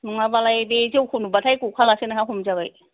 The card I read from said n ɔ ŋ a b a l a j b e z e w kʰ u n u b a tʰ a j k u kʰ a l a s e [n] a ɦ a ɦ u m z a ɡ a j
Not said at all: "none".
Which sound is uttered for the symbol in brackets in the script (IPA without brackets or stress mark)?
n